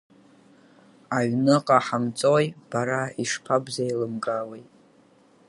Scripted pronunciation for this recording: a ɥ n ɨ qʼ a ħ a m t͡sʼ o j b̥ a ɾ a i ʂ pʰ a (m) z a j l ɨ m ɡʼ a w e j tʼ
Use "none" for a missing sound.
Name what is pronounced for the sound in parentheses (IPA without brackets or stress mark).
b